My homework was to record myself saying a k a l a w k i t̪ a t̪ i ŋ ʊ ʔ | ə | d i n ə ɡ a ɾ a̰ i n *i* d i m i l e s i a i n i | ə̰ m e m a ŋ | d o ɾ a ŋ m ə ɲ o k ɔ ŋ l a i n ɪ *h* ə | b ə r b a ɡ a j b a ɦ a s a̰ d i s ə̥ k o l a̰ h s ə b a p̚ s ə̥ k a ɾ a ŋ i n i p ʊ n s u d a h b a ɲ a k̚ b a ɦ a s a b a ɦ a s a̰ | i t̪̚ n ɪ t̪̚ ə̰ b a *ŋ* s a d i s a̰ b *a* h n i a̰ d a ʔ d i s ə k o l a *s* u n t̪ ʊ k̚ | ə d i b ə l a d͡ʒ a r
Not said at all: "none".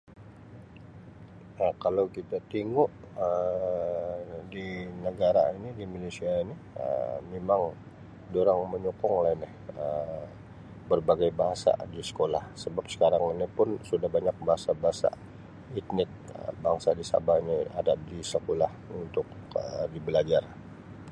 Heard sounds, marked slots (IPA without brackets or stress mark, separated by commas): i, h, ŋ, a, h